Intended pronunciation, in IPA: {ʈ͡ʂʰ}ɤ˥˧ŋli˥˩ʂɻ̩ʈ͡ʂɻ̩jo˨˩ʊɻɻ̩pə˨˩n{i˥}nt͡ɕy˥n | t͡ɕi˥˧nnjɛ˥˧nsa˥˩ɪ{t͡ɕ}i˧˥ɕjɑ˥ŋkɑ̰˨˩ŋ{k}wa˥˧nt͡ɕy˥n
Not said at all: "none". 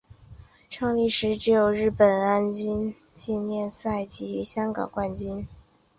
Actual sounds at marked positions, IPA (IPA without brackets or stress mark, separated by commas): ʈ͡ʂʰ, a˥, t͡ɕ, k